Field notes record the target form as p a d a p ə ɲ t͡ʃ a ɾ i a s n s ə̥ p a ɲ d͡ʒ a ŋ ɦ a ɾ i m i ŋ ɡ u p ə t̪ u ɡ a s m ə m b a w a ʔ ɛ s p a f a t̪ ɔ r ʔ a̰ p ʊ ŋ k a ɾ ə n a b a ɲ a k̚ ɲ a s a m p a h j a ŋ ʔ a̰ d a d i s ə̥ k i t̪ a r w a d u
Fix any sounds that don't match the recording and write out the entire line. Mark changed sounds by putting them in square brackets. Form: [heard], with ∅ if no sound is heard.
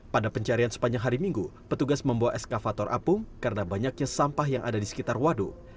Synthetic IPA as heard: p a d a p ə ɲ t͡ʃ a ɾ i a [∅] n s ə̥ p a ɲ d͡ʒ a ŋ ɦ a ɾ i m i ŋ ɡ u p ə t̪ u ɡ a s m ə m b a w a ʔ ɛ s [k] a f a t̪ ɔ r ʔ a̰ p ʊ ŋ k a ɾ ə n a b a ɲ a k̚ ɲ a s a m p a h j a ŋ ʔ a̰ d a d i s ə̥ k i t̪ a r w a d u